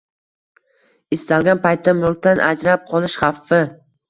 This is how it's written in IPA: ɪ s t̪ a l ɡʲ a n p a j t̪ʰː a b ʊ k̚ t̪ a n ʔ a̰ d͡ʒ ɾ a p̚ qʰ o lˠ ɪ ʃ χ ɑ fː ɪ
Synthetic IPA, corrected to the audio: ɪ s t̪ a l ɡʲ a n p a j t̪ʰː a m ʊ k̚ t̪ a n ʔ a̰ d͡ʒ ɾ a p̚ qʰ ɒ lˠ ɪ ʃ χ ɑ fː ɪ